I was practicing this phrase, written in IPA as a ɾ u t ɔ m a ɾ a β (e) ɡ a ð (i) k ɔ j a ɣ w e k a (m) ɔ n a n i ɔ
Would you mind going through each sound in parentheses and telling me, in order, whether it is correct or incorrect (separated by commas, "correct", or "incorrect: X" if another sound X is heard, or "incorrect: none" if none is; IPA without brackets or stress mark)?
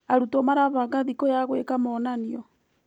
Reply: incorrect: a, correct, correct